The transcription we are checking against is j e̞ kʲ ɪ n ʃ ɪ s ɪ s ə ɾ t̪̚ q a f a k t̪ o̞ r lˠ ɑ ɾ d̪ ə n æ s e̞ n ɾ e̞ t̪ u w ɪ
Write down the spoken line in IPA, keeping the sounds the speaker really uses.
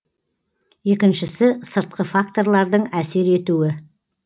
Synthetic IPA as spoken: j e̞ kʲ ɪ n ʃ ɪ s ɪ s ə ɾ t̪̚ q ə f a k t̪ o̞ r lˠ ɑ ɾ d̪ ə ɴ æ s e̞ ɾ e̞ t̪ u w ɪ